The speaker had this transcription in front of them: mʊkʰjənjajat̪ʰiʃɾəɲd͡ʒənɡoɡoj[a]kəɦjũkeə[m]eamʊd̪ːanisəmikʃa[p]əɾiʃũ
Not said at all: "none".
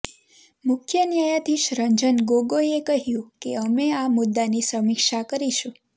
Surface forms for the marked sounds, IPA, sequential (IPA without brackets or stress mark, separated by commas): e, m, k